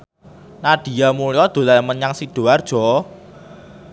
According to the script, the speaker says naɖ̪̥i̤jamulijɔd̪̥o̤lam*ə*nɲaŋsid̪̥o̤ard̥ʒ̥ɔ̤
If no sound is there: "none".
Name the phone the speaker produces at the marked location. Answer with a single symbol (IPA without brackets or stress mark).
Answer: ə